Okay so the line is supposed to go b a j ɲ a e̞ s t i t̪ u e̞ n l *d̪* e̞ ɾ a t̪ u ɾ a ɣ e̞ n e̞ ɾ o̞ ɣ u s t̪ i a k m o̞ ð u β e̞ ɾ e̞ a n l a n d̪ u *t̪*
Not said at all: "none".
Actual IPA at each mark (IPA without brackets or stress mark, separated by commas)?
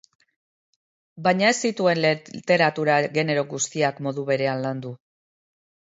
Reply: t̪, none